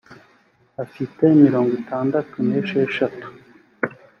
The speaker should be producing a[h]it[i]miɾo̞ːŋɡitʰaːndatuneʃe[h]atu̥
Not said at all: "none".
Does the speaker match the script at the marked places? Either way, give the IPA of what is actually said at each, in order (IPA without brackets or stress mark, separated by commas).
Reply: f, e, ʃ